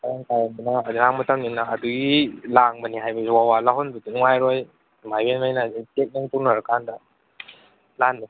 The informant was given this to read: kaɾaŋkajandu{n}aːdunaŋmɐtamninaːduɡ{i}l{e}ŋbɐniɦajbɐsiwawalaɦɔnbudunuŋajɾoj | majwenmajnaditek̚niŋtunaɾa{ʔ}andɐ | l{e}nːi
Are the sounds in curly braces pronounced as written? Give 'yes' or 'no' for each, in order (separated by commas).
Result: yes, yes, no, no, no